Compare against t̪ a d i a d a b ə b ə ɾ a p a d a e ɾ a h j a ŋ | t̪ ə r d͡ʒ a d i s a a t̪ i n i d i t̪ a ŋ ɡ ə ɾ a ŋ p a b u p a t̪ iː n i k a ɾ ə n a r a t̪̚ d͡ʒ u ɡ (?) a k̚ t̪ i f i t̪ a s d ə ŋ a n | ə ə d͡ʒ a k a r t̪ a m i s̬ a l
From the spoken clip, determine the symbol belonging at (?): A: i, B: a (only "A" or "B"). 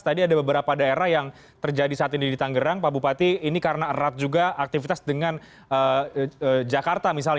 B